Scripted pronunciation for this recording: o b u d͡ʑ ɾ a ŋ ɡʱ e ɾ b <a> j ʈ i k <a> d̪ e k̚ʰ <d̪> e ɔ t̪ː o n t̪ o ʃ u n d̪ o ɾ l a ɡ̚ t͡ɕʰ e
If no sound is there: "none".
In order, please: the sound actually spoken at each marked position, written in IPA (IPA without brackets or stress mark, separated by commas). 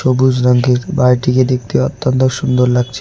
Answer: a, e, t̪